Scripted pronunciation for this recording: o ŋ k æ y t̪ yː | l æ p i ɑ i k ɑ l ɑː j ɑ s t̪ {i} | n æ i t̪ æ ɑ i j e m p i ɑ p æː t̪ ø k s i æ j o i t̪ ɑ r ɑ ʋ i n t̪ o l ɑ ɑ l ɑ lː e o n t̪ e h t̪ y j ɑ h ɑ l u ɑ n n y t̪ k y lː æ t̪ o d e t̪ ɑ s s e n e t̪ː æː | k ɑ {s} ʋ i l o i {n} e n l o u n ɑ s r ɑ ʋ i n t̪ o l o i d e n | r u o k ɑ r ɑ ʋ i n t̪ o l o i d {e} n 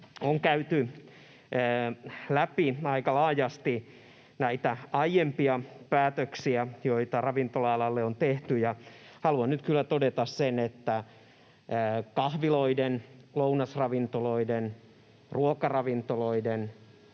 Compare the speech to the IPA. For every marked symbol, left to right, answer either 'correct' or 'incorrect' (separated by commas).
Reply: correct, incorrect, incorrect, correct